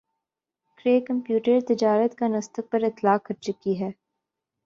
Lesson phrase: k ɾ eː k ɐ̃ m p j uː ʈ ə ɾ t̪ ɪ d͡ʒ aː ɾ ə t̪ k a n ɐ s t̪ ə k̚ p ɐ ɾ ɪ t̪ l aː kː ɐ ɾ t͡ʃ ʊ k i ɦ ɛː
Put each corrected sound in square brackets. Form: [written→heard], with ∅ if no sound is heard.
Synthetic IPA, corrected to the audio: k ɾ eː k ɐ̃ m p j uː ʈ ə ɾ t̪ ɪ d͡ʒ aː ɾ ə t̪ k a n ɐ s t̪ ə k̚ p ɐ ɾ ɪ t̪ l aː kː ɐ ɾ t͡ʃ ʊ k i ɦ ɛː

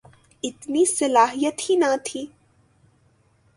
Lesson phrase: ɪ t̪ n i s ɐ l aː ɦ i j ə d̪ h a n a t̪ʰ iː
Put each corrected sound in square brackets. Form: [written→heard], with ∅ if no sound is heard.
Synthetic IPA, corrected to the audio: ɪ t̪ n i s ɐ l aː ɦ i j ə [d̪→t̪] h [a→i] n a t̪ʰ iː

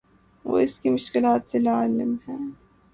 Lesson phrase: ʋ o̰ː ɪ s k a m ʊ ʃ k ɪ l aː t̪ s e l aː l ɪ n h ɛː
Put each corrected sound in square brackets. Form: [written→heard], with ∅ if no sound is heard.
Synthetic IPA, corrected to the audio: ʋ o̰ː ɪ s k [a→i] m ʊ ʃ k ɪ l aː t̪ s e l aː l ɪ [n→m] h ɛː

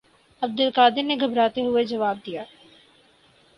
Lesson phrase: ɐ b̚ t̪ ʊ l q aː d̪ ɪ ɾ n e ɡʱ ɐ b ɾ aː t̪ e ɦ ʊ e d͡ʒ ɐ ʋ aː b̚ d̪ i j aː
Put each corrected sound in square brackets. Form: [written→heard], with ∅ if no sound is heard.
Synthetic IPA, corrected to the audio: ɐ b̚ [t̪→d̪] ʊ l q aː d̪ ɪ ɾ n e ɡʱ ɐ b ɾ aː t̪ e ɦ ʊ e d͡ʒ ɐ ʋ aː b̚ d̪ i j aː

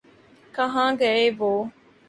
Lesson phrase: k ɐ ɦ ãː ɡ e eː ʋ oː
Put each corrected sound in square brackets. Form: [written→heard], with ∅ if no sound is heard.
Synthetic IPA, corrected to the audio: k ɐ ɦ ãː ɡ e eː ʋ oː

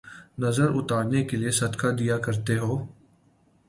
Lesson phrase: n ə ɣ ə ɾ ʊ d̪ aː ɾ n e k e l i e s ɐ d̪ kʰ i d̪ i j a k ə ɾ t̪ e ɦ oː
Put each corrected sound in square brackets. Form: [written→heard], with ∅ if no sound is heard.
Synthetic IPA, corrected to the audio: n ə [ɣ→z] ə ɾ ʊ [d̪→t̪] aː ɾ n e k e l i e s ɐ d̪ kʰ [i→a] d̪ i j a k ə ɾ t̪ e ɦ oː

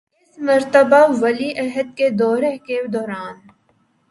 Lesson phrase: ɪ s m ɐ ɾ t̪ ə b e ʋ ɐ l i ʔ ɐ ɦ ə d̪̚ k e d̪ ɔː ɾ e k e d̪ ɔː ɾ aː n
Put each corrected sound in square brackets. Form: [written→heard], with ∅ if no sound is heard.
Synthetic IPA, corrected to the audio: ɪ s m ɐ ɾ t̪ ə b [e→a] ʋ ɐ l i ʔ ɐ ɦ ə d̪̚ k e d̪ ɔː ɾ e k e d̪ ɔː ɾ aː n

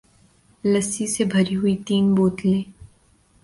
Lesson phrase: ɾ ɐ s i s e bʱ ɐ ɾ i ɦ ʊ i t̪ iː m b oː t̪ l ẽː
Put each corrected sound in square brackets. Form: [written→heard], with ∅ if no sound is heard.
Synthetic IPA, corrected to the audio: [ɾ→l] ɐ s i s e bʱ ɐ ɾ i ɦ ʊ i t̪ iː [m→n] b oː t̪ l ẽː

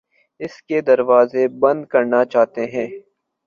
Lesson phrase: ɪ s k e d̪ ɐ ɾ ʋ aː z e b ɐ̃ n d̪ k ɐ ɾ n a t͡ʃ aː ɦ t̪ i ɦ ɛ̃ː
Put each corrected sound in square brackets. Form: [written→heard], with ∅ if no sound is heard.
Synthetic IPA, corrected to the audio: ɪ s k e d̪ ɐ ɾ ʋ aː z e b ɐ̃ n d̪ k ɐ ɾ n a t͡ʃ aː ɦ t̪ [i→e] ɦ ɛ̃ː

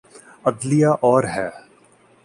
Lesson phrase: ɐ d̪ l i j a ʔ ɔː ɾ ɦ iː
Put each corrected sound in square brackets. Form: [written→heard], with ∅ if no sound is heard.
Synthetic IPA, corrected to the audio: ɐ d̪ l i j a ʔ ɔː ɾ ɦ [iː→ɛː]

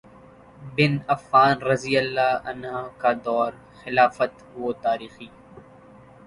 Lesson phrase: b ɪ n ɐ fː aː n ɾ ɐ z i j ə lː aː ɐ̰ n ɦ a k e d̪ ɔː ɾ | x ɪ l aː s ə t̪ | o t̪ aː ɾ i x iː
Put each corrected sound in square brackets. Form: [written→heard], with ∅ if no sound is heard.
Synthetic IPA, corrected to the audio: b ɪ n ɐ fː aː n ɾ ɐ z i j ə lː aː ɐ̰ n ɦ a k [e→a] d̪ ɔː ɾ | x ɪ l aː [s→f] ə t̪ | o t̪ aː ɾ [i→iː] x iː

